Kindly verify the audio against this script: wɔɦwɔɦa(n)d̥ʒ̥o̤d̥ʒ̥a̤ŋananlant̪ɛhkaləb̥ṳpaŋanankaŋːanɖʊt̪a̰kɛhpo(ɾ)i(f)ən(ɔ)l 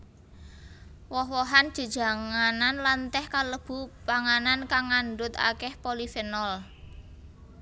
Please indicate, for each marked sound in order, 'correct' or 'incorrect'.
correct, incorrect, correct, correct

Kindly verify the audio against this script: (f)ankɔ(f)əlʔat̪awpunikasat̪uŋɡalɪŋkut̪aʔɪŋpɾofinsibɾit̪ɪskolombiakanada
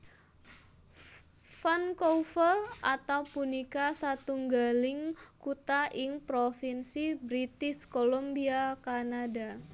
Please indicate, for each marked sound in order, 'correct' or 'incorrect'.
correct, correct

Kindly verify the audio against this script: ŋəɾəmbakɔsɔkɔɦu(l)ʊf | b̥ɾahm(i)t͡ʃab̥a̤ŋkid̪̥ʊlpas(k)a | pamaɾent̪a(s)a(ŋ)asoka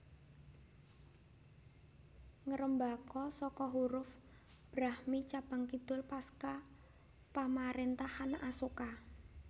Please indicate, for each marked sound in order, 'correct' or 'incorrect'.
incorrect, correct, correct, incorrect, incorrect

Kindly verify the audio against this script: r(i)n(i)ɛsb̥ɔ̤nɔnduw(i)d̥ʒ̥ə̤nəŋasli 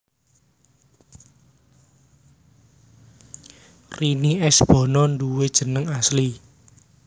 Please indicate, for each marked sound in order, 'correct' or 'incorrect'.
correct, correct, incorrect

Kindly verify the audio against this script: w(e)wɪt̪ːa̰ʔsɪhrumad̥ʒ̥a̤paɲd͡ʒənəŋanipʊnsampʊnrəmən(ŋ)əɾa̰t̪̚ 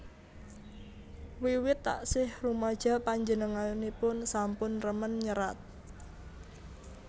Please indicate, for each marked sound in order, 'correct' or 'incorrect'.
incorrect, incorrect

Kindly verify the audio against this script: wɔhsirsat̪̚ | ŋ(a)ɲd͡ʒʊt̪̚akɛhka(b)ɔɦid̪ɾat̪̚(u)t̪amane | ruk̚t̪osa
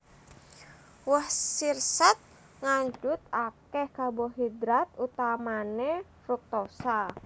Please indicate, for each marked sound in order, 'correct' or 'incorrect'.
correct, correct, correct

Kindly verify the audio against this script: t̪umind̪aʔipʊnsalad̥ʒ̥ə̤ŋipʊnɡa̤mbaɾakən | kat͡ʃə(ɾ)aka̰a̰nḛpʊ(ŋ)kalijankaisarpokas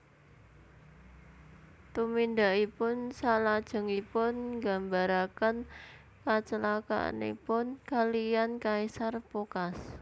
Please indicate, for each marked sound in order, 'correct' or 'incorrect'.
incorrect, incorrect

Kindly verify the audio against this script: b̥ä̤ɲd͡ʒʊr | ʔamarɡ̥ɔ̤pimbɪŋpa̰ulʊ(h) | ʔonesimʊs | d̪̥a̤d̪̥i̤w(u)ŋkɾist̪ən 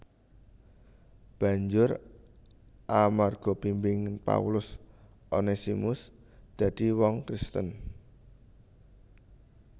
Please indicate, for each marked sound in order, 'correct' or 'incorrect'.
incorrect, incorrect

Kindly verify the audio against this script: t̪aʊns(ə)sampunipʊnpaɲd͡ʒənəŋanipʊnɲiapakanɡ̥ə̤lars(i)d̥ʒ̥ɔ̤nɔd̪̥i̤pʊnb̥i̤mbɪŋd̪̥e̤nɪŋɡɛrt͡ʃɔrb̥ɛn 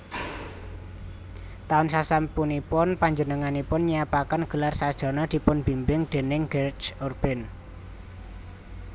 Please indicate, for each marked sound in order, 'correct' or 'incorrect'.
incorrect, incorrect

